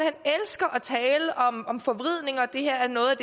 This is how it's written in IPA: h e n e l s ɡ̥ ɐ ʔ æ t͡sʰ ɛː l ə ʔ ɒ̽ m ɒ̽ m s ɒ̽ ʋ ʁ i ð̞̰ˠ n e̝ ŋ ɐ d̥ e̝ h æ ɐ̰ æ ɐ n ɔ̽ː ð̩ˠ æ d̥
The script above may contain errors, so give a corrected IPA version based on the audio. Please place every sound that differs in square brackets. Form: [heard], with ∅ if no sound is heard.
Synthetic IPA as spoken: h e n e l s ɡ̥ ɐ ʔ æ t͡sʰ ɛː l ə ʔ ɒ̽ m ɒ̽ m [f] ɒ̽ ʋ ʁ i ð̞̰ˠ n e̝ ŋ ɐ d̥ e̝ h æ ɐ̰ æ ɐ n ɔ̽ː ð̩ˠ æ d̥